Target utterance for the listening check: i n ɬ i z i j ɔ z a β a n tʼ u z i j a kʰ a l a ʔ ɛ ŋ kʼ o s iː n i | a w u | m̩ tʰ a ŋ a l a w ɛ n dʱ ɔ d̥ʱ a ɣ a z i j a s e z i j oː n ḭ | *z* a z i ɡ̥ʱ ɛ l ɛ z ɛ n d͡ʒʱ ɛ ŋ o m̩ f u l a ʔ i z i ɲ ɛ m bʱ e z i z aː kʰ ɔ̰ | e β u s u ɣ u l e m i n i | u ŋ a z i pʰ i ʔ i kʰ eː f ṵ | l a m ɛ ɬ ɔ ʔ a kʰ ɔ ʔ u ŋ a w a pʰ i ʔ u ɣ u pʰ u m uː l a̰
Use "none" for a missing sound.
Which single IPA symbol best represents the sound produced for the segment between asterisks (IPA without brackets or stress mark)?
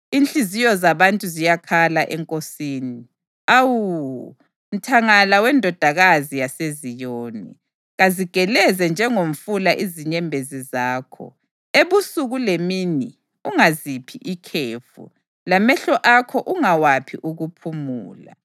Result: ɣ